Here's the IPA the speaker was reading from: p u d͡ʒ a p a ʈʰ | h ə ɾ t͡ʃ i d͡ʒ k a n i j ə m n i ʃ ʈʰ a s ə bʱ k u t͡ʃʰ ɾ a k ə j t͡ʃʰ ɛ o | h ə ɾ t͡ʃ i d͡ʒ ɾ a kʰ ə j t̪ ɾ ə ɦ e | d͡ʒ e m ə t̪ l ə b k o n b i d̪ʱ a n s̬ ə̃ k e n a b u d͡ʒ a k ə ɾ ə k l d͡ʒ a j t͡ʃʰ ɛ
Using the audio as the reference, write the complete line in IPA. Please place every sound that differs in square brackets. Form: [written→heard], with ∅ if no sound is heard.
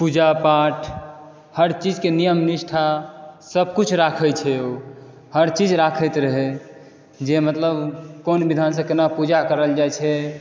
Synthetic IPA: p u d͡ʒ a p a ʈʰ | h ə ɾ t͡ʃ i d͡ʒ k [a→e] n i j ə m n i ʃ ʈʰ a s ə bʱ k u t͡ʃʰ ɾ a [k→kʰ] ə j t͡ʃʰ ɛ o | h ə ɾ t͡ʃ i d͡ʒ ɾ a kʰ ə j t̪ ɾ ə ɦ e | d͡ʒ e m ə t̪ l ə b k o n b i d̪ʱ a n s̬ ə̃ k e n a [b→p] u d͡ʒ a k ə ɾ ə [k→∅] l d͡ʒ a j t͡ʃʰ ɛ

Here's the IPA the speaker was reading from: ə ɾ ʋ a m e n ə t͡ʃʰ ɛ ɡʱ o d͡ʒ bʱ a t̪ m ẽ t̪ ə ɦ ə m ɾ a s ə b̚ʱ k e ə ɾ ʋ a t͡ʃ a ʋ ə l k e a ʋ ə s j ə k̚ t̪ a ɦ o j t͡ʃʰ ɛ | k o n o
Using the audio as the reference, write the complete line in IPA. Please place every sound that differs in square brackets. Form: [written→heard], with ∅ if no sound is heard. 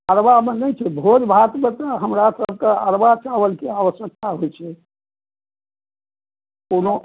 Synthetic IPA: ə ɾ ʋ a m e n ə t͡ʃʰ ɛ [ɡʱ→bʱ] o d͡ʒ bʱ a t̪ m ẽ t̪ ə ɦ ə m ɾ a s ə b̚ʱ k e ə ɾ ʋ a t͡ʃ a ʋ ə l k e a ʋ ə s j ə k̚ t̪ a ɦ o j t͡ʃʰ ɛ | k o n o

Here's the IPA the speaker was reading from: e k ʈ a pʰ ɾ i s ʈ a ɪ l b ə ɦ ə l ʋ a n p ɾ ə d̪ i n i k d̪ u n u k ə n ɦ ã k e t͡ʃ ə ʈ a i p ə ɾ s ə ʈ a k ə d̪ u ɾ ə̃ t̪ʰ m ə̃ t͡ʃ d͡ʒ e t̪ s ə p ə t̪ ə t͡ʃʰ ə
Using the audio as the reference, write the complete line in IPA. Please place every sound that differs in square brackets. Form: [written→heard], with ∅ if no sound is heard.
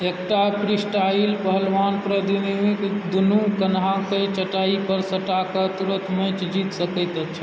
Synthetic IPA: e k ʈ a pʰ ɾ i s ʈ a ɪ l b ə ɦ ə l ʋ a n p ɾ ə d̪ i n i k d̪ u n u k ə n ɦ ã k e t͡ʃ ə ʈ a i p ə ɾ s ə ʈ a k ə [d̪→t̪] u ɾ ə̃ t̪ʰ m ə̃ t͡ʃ d͡ʒ [e→i] t̪ s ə [p→k] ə t̪ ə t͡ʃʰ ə

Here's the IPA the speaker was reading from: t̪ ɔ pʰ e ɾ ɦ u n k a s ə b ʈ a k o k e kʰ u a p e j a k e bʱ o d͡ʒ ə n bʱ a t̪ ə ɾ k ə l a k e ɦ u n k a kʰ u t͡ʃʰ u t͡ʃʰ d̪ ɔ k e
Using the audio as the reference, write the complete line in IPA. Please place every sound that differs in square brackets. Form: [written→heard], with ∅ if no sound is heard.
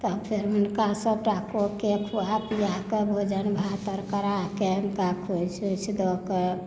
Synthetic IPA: t̪ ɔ pʰ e ɾ ɦ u n k a s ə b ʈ a k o k e kʰ u a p [e→i] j a k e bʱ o d͡ʒ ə n bʱ a t̪ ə ɾ k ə [l→ɾ] a k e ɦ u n k a kʰ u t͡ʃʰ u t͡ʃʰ d̪ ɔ k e

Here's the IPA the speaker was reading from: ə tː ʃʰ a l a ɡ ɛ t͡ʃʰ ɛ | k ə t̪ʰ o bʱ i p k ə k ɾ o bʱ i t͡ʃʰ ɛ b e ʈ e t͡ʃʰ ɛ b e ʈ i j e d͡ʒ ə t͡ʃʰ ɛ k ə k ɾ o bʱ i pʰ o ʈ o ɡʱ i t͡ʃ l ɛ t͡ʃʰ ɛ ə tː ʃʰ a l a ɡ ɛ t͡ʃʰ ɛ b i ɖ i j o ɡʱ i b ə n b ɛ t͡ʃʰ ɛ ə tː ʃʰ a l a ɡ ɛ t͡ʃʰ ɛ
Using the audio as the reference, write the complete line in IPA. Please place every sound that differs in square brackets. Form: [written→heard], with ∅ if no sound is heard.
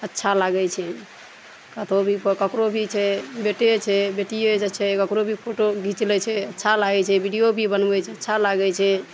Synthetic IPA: ə tː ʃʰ a l a ɡ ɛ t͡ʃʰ ɛ | k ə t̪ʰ o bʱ i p k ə k ɾ o bʱ i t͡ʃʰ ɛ b e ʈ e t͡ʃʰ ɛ b e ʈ i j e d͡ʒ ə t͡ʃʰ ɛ k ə k ɾ o bʱ i pʰ o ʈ o ɡʱ i t͡ʃ l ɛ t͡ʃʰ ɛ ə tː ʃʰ a l a ɡ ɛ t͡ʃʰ ɛ b i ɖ i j o [ɡʱ→bʱ] i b ə n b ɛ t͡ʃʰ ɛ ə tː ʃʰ a l a ɡ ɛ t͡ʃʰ ɛ

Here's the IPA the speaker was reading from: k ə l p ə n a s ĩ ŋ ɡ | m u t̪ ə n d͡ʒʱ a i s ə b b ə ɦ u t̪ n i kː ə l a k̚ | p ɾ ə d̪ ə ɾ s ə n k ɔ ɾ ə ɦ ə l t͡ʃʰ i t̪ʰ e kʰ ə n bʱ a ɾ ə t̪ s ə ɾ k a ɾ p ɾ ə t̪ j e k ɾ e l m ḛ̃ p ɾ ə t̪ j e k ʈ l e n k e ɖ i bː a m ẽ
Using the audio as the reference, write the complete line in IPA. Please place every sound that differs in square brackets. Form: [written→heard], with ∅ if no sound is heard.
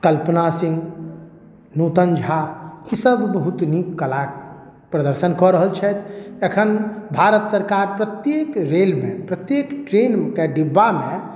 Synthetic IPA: k ə l p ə n a s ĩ ŋ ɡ | [m→n] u t̪ ə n d͡ʒʱ a i s ə b b ə ɦ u t̪ n i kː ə l a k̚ | p ɾ ə d̪ ə ɾ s ə n k ɔ ɾ ə ɦ ə l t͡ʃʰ [i→ɛ] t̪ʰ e kʰ ə n bʱ a ɾ ə t̪ s ə ɾ k a ɾ p ɾ ə t̪ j e k ɾ e l m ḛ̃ p ɾ ə t̪ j e k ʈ [l→ɾ] e n k e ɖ i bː a m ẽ

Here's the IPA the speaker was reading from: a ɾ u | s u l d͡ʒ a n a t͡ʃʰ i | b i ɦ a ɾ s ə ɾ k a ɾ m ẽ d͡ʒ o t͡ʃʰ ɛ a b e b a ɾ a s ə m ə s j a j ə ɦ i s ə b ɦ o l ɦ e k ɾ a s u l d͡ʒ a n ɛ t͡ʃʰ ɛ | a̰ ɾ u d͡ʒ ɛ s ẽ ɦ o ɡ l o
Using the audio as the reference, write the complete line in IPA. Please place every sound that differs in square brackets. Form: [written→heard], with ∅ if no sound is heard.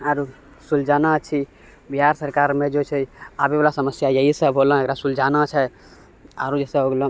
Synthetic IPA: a ɾ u | s u l d͡ʒ a n a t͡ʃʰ i | b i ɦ a ɾ s ə ɾ k a ɾ m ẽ d͡ʒ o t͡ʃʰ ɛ a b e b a [ɾ→l] a s ə m ə s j a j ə ɦ i s ə b ɦ o l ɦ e k ɾ a s u l d͡ʒ a n [ɛ→a] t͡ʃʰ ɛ | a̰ ɾ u d͡ʒ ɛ s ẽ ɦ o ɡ l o

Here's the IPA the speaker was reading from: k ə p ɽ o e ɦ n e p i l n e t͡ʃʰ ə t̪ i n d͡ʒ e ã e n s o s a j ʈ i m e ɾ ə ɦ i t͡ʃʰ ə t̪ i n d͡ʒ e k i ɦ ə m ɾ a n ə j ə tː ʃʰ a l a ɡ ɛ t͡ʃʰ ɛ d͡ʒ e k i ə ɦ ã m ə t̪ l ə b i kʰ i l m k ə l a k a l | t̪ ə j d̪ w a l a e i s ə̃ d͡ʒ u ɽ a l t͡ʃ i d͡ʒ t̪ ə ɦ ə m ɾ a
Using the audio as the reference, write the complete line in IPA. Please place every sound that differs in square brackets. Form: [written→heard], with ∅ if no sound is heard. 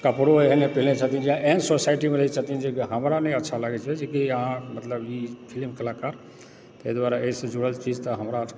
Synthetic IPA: k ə p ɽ o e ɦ n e p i l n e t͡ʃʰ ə t̪ i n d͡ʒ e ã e n s o s a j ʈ i m e ɾ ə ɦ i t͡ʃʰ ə t̪ i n d͡ʒ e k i ɦ ə m ɾ a n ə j ə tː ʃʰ a l a ɡ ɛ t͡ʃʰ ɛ d͡ʒ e k i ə ɦ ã m ə t̪ l ə b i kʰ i l m k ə l a k a [l→ɾ] | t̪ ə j d̪ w a [l→ɾ] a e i s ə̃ d͡ʒ u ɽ [a→ə] l t͡ʃ i d͡ʒ t̪ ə ɦ ə m ɾ a

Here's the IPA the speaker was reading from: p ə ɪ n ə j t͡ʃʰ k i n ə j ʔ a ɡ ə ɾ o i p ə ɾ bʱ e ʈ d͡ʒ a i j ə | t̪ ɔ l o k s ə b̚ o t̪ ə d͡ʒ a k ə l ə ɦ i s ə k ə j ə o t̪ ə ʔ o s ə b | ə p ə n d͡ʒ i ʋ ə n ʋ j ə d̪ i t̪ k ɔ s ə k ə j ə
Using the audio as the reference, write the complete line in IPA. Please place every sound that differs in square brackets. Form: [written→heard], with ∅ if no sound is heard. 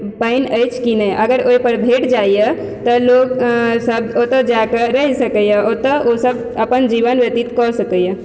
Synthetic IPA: p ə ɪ n ə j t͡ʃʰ k i n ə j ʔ [a→ə] ɡ ə ɾ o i p ə ɾ bʱ e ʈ d͡ʒ a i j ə | t̪ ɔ l o k s ə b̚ o t̪ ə d͡ʒ a k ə [l→ɾ] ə ɦ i s ə k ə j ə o t̪ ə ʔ o s ə b | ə p ə n d͡ʒ i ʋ ə n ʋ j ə [d̪→t̪] i t̪ k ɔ s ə k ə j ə

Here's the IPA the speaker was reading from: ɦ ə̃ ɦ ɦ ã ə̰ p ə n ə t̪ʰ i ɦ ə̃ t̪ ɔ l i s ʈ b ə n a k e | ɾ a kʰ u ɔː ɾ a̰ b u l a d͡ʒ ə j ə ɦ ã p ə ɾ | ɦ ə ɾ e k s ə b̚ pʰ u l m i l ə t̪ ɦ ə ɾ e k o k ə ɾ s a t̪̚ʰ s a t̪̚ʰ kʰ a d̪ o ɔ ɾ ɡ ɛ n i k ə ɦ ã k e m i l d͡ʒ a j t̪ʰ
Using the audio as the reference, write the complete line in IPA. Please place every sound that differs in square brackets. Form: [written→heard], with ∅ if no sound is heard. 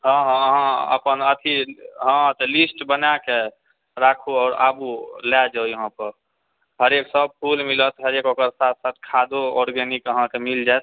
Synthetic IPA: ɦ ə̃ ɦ ɦ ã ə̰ p ə n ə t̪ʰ i ɦ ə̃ t̪ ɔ l i s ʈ b ə n a k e | ɾ a kʰ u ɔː ɾ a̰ b u l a d͡ʒ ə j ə ɦ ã p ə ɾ | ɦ ə ɾ e k s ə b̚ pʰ u l m i l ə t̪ ɦ ə ɾ e k o k ə ɾ s a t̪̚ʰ s a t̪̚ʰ kʰ a d̪ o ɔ ɾ ɡ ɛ n i k ə ɦ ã k e m i l d͡ʒ a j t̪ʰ

